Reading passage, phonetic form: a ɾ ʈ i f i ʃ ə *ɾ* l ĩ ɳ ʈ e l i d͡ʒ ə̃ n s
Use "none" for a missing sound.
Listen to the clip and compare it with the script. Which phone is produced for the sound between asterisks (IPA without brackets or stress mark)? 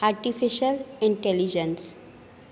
none